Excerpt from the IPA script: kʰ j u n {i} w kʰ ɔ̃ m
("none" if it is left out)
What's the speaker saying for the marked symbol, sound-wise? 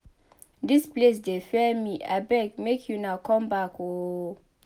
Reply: a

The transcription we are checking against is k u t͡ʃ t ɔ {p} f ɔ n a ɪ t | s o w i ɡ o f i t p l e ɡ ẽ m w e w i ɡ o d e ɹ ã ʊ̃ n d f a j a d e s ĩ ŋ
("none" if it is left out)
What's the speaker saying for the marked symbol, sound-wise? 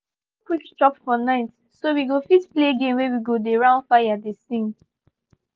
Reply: p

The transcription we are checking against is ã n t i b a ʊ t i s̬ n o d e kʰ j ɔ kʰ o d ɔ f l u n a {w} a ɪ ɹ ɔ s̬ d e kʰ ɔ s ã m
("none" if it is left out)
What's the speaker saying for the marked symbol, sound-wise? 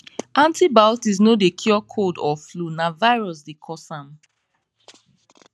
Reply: v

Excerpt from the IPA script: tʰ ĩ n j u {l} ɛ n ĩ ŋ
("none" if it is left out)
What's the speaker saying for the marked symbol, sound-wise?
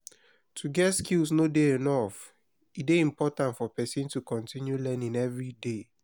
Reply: l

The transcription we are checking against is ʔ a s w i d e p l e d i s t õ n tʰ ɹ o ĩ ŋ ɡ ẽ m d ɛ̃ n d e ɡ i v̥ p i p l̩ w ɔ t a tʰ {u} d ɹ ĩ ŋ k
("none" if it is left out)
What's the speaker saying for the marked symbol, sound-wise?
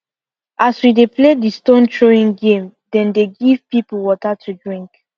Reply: u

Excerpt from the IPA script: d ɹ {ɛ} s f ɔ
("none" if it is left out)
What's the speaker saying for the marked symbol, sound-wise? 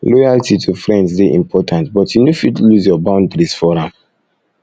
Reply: i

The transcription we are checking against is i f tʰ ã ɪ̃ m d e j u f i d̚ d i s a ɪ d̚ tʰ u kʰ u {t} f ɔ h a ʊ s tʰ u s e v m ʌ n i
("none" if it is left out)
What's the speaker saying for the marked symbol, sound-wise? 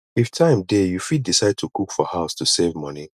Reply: k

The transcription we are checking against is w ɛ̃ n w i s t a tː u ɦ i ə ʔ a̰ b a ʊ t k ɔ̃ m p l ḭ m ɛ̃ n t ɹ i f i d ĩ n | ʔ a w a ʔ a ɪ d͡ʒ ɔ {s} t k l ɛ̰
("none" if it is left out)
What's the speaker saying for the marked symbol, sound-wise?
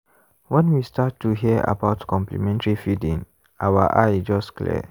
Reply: s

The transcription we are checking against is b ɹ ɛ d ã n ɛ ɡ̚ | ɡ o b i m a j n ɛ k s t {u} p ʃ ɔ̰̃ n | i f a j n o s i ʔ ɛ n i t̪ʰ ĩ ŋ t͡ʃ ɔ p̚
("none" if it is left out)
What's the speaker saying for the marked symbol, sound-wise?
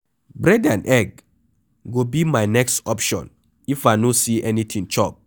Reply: ɔ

